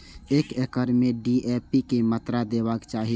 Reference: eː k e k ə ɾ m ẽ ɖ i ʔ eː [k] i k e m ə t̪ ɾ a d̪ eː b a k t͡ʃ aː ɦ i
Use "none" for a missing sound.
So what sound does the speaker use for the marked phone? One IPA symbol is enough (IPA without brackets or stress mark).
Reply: p